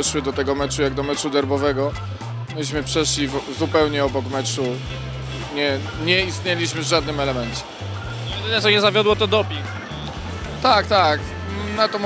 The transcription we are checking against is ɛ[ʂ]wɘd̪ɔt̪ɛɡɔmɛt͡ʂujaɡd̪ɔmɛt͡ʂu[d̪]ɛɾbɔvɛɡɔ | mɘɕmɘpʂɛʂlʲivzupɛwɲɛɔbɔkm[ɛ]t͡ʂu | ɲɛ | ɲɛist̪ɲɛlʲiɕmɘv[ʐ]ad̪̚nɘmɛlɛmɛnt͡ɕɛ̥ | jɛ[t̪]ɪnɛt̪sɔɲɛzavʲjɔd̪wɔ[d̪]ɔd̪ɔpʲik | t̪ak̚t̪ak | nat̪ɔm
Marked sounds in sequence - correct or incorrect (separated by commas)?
correct, correct, correct, correct, incorrect, incorrect